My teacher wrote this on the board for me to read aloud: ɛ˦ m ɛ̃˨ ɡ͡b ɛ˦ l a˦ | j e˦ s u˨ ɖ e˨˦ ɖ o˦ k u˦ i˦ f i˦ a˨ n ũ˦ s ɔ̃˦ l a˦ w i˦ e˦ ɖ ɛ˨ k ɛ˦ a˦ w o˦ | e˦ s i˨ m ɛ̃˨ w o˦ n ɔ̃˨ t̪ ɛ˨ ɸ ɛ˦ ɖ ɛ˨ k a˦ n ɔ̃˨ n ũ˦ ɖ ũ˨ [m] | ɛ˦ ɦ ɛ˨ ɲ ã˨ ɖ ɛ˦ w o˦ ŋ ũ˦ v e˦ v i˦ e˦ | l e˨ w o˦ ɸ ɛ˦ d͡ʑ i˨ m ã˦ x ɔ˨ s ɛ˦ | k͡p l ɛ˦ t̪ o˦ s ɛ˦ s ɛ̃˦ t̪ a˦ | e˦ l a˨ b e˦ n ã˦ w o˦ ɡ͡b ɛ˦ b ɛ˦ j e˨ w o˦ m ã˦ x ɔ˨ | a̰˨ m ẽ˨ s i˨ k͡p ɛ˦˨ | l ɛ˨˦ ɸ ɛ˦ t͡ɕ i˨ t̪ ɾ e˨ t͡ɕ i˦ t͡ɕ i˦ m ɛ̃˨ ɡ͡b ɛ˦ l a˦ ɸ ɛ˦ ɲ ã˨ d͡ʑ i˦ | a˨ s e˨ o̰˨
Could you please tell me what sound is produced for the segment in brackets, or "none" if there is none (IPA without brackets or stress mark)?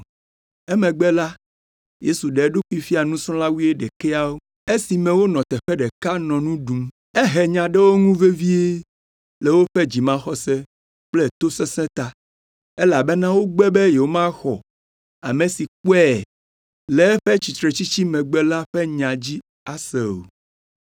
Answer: m